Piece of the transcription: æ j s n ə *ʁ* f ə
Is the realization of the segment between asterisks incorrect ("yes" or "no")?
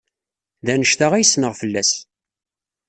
no